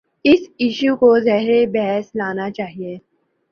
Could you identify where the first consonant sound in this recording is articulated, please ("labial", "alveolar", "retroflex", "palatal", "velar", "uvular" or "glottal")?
alveolar